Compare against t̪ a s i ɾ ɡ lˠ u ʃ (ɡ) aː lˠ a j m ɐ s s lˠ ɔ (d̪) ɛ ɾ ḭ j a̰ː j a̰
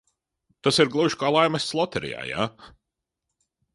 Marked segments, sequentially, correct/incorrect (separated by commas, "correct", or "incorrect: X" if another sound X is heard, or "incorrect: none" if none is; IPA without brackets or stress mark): incorrect: k, incorrect: t̪